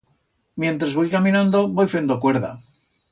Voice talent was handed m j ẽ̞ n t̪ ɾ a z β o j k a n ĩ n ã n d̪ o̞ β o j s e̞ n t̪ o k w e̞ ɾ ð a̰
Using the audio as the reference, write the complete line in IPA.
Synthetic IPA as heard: m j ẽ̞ n t̪ ɾ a z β o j k a m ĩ n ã n d̪ o̞ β o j f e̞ n d̪ o k w e̞ ɾ ð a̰